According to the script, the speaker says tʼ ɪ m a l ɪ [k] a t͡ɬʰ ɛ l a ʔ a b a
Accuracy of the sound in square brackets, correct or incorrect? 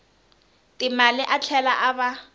incorrect